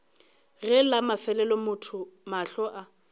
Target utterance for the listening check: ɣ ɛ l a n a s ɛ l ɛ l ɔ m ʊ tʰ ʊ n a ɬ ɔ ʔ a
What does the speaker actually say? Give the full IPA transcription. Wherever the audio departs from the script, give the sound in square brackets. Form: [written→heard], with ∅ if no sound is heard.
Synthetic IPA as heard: ɣ ɛ l a [n→m] a [s→f] ɛ l ɛ l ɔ m ʊ tʰ ʊ [n→m] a ɬ ɔ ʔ a